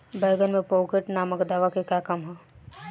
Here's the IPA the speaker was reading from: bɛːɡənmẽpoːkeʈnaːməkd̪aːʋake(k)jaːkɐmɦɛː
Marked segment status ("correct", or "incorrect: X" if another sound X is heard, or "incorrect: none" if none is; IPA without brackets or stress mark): correct